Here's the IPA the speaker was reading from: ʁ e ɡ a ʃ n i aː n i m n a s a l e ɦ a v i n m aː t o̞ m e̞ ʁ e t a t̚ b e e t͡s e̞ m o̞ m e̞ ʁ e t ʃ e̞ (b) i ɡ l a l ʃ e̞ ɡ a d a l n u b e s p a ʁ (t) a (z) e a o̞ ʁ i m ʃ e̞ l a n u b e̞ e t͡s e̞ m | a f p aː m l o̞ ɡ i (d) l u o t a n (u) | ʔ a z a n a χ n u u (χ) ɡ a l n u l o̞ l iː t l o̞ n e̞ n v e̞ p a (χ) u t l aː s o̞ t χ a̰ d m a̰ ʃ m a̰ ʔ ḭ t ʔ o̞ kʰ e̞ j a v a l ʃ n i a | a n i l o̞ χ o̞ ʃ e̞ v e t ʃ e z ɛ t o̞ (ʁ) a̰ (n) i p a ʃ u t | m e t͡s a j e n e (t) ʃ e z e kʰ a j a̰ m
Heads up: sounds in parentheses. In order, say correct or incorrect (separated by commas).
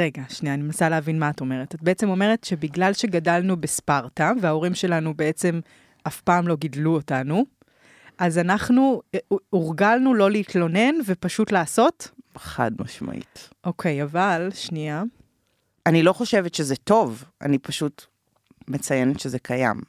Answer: correct, correct, incorrect, correct, correct, incorrect, incorrect, incorrect, correct, correct